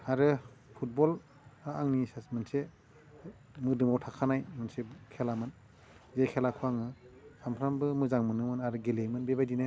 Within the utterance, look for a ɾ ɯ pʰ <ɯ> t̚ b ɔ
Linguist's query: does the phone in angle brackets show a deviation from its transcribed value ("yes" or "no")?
yes